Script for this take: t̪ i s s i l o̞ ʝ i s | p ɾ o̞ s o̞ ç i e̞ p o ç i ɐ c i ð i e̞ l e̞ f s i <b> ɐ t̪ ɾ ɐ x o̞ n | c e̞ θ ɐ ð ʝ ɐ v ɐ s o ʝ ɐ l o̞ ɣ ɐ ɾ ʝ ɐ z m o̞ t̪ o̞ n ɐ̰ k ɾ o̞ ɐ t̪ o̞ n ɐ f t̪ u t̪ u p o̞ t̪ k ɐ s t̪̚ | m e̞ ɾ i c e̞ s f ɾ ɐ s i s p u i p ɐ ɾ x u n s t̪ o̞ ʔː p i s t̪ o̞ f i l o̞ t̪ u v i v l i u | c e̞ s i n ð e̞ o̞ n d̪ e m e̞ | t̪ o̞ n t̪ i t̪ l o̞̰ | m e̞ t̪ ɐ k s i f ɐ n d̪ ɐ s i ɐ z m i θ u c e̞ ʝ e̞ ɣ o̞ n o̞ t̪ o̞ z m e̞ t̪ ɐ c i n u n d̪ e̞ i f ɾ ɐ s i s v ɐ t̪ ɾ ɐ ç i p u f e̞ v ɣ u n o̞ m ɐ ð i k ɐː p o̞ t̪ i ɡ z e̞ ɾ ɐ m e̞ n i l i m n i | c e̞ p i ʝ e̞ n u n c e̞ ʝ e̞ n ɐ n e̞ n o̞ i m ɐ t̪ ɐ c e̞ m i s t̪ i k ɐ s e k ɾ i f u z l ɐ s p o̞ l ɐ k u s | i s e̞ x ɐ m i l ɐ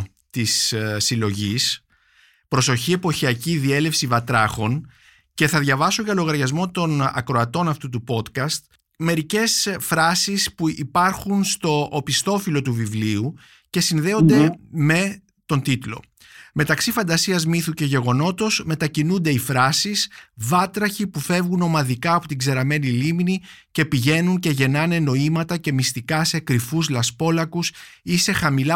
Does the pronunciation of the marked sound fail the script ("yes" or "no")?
yes